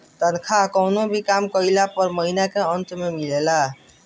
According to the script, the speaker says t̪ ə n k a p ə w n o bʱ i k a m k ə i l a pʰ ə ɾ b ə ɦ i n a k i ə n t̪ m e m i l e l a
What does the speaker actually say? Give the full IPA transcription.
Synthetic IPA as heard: t̪ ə n kʰ a k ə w n o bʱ i k a m k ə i l a p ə ɾ m ə ɦ i n a k e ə n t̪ m e m i l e l a